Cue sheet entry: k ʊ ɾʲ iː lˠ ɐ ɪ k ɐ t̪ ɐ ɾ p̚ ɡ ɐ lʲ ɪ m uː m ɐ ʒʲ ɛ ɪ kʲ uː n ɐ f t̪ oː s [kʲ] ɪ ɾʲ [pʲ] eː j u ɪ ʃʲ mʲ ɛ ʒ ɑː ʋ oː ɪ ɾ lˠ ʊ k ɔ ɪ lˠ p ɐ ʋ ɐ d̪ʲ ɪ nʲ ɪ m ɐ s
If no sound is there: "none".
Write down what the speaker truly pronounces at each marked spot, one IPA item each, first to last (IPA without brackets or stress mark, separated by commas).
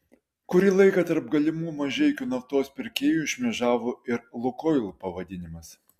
pʲ, kʲ